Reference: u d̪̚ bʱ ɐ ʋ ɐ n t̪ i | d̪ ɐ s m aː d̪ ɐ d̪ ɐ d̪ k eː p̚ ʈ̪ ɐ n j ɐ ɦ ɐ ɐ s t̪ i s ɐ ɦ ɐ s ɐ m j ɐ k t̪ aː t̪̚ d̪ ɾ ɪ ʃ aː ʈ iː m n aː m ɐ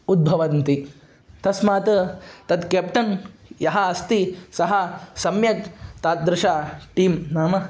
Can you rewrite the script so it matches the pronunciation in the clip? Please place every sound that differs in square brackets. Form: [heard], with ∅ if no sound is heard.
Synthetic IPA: u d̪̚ bʱ ɐ ʋ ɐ n t̪ i | [t̪] ɐ s m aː [t̪] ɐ [t̪] ɐ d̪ k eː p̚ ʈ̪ ɐ n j ɐ ɦ ɐ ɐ s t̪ i s ɐ ɦ ɐ s ɐ m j ɐ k t̪ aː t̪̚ d̪ ɾ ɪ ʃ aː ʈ iː m n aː m ɐ

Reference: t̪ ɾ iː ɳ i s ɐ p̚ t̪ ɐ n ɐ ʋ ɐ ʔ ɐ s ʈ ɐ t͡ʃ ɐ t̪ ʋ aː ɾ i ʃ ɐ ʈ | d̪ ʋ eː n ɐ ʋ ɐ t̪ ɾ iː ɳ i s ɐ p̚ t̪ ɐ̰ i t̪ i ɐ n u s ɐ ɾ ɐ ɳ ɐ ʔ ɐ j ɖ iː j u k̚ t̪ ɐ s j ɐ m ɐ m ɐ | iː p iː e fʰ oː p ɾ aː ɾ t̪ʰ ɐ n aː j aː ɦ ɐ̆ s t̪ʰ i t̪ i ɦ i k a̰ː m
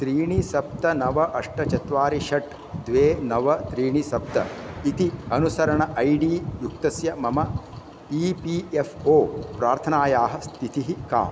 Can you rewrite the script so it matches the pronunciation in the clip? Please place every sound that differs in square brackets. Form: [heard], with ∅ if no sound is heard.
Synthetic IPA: t̪ ɾ iː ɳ i s ɐ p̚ t̪ ɐ n ɐ ʋ ɐ ʔ ɐ [ʂ] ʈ ɐ t͡ʃ ɐ t̪ ʋ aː ɾ i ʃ ɐ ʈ | d̪ ʋ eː n ɐ ʋ ɐ t̪ ɾ iː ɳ i s ɐ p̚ t̪ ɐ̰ i t̪ i ɐ n u s ɐ ɾ ɐ ɳ ɐ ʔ ɐ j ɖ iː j u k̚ t̪ ɐ s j ɐ m ɐ m ɐ | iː p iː e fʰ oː p ɾ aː ɾ t̪ʰ ɐ n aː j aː ɦ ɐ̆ s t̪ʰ i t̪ i ɦ i k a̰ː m

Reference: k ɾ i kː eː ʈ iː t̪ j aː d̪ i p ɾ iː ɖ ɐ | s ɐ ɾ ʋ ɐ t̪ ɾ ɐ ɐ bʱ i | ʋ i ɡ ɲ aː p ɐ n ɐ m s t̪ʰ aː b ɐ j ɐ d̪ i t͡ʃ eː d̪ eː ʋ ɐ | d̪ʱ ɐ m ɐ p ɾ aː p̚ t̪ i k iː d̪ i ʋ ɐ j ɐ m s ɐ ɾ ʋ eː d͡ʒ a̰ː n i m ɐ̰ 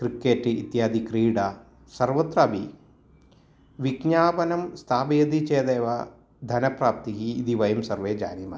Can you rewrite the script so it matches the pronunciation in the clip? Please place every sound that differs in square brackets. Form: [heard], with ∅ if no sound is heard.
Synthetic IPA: k ɾ i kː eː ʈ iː t̪ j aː d̪ i [k] ɾ iː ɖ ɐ | s ɐ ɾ ʋ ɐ t̪ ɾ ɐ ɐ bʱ i | ʋ i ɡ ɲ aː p ɐ n ɐ m s t̪ʰ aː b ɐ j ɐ d̪ i t͡ʃ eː d̪ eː ʋ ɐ | d̪ʱ ɐ [n] ɐ p ɾ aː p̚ t̪ i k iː d̪ i ʋ ɐ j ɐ m s ɐ ɾ ʋ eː d͡ʒ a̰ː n i m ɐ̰

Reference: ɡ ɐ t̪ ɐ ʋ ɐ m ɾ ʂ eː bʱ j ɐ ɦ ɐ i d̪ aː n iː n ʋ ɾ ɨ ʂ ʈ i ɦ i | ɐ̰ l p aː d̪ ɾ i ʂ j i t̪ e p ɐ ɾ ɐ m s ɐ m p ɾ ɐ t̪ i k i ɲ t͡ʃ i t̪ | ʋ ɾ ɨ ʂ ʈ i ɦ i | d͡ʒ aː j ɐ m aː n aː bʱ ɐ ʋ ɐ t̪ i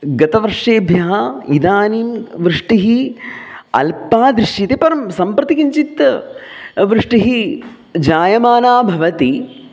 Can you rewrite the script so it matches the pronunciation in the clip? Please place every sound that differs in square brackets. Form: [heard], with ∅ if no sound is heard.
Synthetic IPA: ɡ ɐ t̪ ɐ ʋ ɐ [∅] ɾ ʂ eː bʱ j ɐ ɦ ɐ i d̪ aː n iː [m] ʋ ɾ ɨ ʂ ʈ i ɦ i | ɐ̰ l p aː d̪ ɾ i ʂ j i t̪ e p ɐ ɾ ɐ m s ɐ m p ɾ ɐ t̪ i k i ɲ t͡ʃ i t̪ | ʋ ɾ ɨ ʂ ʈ i ɦ i | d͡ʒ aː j ɐ m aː n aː bʱ ɐ ʋ ɐ t̪ i

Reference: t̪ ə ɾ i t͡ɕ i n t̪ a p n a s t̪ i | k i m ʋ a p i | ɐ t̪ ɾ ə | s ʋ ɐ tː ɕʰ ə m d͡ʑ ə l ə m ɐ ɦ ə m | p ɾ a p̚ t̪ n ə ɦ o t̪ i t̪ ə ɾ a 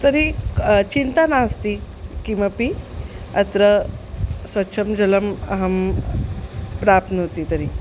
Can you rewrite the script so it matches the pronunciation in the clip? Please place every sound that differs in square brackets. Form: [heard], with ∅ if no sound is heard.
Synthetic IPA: t̪ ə ɾ i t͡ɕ i n t̪ a [∅] n a s t̪ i | k i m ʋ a p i | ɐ t̪ ɾ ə | s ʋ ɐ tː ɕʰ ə m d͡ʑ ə l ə m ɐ ɦ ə m | p ɾ a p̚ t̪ n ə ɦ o t̪ i t̪ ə ɾ [i]

